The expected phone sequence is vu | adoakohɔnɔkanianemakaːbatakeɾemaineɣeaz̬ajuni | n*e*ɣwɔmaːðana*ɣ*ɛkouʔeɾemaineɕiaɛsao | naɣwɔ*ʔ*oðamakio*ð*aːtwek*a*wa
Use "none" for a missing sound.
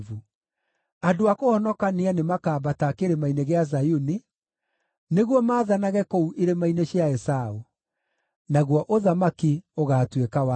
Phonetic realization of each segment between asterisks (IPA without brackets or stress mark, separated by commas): e, ɣ, ʔ, ɣ, a